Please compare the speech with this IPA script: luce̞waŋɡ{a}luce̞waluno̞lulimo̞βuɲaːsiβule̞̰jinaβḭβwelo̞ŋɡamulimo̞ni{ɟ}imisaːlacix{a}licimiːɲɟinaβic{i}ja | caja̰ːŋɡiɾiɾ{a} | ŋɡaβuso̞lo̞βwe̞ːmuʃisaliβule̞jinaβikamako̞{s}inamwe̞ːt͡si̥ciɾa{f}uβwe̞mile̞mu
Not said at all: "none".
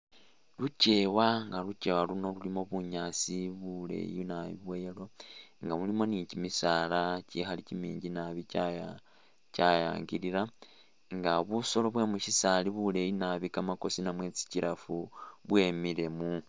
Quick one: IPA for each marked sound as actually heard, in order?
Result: a, c, a, a, a, s, f

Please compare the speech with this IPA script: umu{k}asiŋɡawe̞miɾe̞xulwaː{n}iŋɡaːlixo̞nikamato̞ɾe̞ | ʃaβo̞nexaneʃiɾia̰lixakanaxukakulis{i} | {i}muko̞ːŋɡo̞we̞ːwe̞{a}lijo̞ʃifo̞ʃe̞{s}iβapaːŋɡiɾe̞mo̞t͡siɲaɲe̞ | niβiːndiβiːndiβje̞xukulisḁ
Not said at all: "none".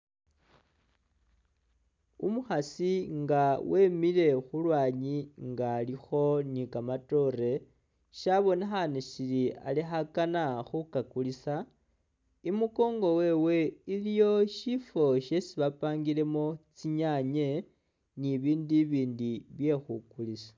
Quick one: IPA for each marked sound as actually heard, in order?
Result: x, ɲ, a, i, i, s

